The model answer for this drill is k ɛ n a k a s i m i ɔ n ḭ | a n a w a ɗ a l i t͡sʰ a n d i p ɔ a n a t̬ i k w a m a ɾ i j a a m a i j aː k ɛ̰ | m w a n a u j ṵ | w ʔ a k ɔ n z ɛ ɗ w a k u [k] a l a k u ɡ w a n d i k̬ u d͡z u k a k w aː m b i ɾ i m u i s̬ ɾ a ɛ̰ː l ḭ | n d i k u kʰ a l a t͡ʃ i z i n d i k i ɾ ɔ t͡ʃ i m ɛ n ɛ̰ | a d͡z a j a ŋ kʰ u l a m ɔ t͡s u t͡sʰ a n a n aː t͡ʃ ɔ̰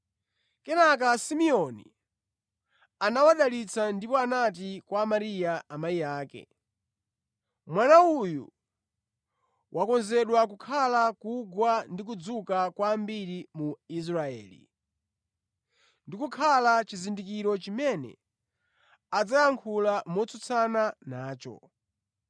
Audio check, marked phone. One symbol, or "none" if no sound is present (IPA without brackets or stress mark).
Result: kʰ